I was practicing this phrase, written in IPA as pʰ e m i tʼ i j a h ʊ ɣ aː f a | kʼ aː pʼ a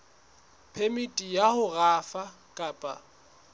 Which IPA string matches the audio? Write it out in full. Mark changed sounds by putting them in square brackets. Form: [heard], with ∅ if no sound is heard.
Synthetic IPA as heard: pʰ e m i tʼ i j a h ʊ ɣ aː f a | kʼ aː pʼ a